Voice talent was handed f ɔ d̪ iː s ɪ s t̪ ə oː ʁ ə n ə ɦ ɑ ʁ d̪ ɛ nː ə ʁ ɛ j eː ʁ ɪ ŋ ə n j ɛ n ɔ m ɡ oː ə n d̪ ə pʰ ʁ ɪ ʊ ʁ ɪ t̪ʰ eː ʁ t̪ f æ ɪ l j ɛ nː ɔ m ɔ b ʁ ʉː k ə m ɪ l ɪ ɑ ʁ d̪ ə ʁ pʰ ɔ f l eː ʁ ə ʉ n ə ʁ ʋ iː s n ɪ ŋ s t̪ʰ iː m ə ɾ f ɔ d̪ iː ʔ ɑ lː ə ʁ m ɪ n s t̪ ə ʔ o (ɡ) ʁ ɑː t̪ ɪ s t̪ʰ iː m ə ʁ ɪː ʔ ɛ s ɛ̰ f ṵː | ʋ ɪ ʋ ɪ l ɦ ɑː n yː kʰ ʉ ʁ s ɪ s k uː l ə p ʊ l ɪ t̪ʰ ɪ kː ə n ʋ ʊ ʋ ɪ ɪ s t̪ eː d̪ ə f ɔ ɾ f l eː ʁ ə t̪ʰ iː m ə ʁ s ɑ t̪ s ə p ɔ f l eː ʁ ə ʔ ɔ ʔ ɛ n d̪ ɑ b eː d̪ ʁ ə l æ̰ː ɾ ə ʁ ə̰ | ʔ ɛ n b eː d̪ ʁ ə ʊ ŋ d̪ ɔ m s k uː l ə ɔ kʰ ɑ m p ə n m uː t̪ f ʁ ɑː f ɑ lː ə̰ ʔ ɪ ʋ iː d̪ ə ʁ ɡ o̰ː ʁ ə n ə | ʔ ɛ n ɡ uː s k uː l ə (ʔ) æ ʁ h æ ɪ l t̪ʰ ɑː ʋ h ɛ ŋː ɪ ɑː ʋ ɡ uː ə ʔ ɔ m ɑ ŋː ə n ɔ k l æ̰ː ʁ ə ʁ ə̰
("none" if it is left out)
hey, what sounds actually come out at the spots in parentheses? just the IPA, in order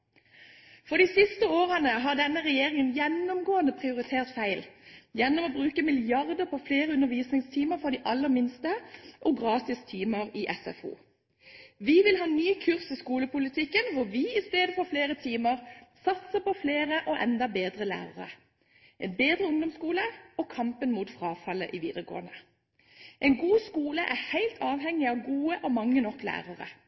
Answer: ɡ, ʔ

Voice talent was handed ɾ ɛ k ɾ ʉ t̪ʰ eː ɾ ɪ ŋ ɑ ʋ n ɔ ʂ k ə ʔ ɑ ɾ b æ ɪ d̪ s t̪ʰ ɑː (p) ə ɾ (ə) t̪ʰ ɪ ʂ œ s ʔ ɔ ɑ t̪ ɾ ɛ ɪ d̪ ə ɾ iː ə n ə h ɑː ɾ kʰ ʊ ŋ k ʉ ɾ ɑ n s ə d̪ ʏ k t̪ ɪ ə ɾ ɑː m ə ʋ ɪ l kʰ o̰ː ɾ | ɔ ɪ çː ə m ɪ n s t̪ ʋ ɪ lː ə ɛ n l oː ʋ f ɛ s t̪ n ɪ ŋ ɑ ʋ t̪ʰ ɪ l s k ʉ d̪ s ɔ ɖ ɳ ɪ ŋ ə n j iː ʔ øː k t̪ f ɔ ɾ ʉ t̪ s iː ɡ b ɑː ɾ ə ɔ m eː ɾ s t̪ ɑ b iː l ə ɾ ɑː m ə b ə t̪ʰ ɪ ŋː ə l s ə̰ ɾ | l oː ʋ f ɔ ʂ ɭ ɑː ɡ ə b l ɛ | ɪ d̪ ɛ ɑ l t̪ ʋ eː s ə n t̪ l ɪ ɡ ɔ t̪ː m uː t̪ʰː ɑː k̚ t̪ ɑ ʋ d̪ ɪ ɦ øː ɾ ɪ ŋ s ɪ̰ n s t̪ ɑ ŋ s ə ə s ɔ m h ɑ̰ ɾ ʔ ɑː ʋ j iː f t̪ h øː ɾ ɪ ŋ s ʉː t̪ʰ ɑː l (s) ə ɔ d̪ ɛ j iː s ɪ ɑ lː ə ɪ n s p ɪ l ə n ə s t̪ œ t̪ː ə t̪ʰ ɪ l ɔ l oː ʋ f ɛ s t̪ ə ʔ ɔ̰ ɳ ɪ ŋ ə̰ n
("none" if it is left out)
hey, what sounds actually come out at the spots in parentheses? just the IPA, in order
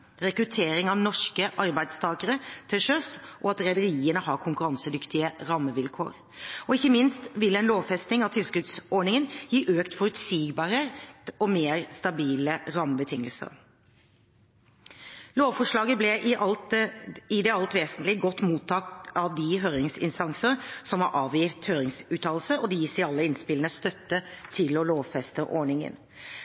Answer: k, ə, s

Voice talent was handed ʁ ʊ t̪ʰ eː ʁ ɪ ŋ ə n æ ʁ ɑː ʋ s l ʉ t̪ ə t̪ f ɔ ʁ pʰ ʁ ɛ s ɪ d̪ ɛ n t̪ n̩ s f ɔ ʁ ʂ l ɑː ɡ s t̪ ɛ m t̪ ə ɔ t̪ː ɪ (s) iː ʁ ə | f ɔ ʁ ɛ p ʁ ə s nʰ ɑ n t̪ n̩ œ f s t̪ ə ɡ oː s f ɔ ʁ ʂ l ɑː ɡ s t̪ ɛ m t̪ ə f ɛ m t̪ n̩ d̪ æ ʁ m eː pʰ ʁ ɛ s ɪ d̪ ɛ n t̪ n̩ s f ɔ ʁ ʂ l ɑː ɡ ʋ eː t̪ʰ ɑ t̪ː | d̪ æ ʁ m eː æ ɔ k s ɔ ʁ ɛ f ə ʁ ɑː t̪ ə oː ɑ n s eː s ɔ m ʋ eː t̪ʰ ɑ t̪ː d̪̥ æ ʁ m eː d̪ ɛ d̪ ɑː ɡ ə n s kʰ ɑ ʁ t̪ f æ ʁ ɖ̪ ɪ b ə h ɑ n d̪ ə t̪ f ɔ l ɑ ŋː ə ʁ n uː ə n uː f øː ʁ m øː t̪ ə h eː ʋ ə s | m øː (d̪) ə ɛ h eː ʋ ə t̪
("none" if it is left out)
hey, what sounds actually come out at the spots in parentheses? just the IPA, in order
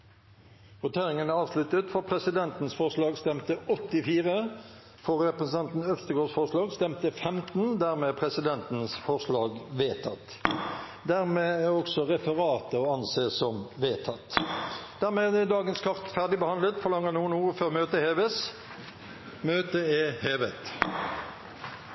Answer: f, t̪

